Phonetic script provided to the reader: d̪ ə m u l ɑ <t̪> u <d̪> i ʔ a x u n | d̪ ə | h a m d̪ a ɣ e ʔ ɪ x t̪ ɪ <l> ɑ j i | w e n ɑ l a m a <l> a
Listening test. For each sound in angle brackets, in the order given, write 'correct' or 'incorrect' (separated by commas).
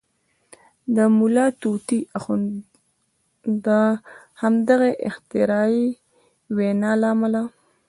correct, incorrect, incorrect, correct